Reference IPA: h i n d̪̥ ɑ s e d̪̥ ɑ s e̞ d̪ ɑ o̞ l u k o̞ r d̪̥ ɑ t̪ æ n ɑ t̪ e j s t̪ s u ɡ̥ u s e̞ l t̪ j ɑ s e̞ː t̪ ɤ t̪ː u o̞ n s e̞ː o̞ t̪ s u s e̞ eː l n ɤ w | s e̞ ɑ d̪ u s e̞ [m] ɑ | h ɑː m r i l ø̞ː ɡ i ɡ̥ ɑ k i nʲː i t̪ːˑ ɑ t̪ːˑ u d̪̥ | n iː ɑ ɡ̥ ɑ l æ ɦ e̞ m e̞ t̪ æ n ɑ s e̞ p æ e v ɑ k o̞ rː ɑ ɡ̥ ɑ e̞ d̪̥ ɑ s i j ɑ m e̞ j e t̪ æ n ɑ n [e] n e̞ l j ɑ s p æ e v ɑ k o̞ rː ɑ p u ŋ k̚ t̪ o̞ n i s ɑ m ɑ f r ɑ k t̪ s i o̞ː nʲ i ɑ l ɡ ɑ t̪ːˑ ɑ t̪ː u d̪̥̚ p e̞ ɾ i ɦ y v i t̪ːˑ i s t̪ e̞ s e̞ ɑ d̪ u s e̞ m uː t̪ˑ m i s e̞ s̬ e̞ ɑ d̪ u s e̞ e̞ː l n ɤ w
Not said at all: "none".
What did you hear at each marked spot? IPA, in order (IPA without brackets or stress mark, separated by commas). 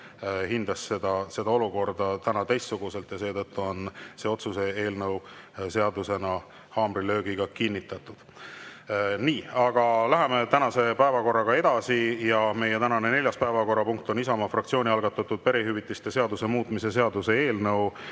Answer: n, e